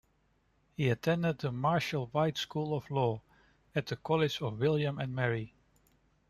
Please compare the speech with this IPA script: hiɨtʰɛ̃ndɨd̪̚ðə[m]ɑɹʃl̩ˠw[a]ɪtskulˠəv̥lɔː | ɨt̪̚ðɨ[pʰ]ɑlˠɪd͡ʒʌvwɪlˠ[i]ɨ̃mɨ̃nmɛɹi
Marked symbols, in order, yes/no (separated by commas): yes, yes, no, no